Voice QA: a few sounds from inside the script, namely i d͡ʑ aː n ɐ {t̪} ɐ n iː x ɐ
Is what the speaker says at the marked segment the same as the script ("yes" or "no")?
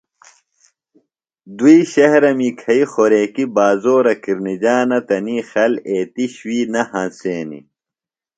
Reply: yes